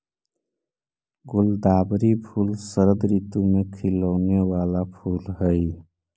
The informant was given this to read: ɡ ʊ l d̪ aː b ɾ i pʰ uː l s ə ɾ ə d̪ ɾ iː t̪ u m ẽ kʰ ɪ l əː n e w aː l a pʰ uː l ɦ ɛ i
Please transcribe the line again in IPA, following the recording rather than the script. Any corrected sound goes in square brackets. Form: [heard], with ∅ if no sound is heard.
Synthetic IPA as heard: ɡ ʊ l d̪ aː b ɾ i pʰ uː l s ə ɾ ə d̪ ɾ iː t̪ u m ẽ kʰ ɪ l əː n e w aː l a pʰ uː l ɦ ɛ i